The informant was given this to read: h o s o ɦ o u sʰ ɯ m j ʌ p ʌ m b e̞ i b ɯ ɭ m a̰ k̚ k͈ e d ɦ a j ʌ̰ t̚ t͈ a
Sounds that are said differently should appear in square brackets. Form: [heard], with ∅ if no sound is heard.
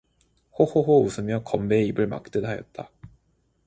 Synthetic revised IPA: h o [h] o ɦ o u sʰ ɯ m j ʌ [k] ʌ m b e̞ i b ɯ ɭ m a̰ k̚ [t͈] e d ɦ a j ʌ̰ t̚ t͈ a